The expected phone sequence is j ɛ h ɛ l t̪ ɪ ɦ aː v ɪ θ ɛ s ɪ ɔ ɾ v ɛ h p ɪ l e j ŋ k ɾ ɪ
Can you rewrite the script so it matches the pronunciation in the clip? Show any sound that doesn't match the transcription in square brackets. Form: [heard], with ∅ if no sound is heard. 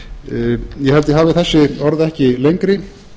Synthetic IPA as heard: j ɛ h ɛ l t̪ ɪ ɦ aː v ɪ θ ɛ [sː] ɪ ɔ ɾ [ð] ɛ h [c] ɪ l e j ŋ k ɾ ɪ